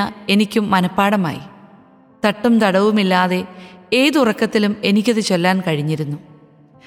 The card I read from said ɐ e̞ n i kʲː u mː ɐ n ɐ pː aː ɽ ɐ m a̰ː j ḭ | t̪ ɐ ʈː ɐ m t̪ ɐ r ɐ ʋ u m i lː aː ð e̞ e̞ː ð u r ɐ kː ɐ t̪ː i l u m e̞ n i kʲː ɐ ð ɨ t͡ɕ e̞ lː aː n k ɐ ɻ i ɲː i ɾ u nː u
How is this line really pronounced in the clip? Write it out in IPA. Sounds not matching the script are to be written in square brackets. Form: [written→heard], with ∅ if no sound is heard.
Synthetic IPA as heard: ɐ e̞ n i kʲː u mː ɐ n ɐ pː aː ɽ ɐ m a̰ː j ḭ | t̪ ɐ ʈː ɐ m t̪ ɐ [r→ɽ] ɐ ʋ u m i lː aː ð e̞ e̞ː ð u r ɐ kː ɐ t̪ː i l u m e̞ n i kʲː ɐ ð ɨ t͡ɕ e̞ lː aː n k ɐ ɻ i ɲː i ɾ u nː u